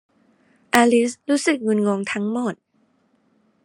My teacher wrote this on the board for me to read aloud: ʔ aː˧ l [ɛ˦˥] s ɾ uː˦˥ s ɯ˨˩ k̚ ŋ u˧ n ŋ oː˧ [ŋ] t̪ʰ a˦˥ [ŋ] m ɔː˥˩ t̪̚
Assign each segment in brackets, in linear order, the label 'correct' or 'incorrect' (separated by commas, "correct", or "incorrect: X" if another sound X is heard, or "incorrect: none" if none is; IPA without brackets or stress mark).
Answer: incorrect: i˦˥, correct, correct